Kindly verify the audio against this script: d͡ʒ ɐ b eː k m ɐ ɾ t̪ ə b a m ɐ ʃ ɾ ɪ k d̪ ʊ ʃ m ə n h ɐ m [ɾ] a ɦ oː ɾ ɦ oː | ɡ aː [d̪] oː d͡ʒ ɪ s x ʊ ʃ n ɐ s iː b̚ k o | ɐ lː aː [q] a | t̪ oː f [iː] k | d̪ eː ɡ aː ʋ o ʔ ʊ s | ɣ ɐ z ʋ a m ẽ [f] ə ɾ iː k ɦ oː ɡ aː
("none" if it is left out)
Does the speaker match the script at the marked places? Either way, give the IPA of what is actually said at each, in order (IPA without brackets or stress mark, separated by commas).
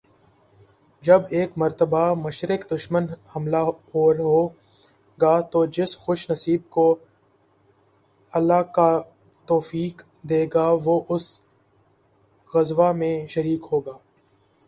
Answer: l, t̪, k, iː, ʃ